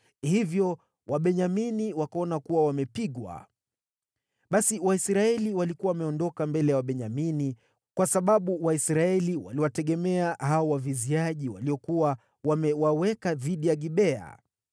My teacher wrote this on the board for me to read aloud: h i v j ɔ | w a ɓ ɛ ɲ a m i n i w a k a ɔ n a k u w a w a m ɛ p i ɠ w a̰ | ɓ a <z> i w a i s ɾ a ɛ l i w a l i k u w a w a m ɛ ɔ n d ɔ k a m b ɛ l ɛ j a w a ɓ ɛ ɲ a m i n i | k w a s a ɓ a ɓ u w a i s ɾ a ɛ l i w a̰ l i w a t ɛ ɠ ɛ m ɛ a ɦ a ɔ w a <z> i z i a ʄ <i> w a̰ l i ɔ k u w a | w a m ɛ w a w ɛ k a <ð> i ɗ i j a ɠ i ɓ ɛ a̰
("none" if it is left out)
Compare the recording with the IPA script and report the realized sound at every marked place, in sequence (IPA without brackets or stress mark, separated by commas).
s, v, i, ð